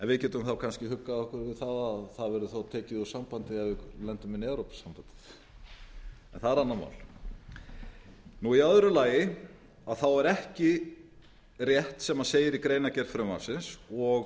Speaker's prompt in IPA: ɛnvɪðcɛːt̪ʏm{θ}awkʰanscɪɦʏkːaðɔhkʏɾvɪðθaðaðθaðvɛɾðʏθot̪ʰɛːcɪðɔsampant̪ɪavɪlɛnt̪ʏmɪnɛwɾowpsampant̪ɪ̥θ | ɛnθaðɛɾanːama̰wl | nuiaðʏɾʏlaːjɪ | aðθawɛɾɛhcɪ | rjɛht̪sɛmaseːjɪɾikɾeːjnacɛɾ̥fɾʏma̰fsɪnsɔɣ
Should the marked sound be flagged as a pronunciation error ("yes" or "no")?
no